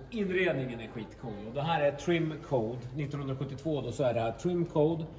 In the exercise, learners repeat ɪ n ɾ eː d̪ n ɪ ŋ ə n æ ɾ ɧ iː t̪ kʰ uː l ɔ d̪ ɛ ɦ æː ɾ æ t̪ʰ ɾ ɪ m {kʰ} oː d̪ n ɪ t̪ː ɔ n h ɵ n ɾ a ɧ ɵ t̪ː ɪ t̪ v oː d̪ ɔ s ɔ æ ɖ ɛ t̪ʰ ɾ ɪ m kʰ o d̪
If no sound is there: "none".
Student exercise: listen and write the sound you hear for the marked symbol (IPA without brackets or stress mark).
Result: kʰ